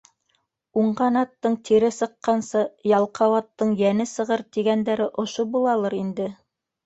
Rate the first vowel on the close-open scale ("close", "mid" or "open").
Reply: close